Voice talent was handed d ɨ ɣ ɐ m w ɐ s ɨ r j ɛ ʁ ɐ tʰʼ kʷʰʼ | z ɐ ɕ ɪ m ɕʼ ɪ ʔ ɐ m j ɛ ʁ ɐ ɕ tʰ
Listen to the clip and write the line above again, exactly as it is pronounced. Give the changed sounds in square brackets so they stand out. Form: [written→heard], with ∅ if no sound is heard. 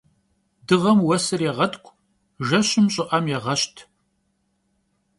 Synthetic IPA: d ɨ [ɣ→ʁ] ɐ m w ɐ s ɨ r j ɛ ʁ ɐ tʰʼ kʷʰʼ | [z→ʒ] ɐ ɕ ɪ m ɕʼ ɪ ʔ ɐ m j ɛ ʁ ɐ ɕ tʰ